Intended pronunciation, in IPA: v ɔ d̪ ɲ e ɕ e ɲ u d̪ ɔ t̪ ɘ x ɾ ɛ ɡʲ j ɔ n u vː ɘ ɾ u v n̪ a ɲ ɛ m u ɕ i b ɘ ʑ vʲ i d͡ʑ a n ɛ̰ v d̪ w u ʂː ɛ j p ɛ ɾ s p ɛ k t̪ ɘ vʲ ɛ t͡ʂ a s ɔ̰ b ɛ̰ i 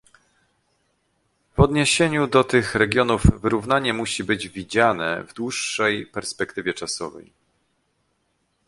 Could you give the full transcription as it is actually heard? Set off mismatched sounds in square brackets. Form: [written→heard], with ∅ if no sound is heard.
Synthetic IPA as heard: v ɔ d̪ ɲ e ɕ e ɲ u d̪ ɔ t̪ ɘ x ɾ ɛ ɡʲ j ɔ n u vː ɘ ɾ u v n̪ a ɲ ɛ m u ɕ i b ɘ [ʑ→d͡ʑ] vʲ i d͡ʑ a n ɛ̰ v d̪ w u ʂː ɛ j p ɛ ɾ s p ɛ k t̪ ɘ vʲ ɛ t͡ʂ a s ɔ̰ [b→v] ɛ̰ [i→j]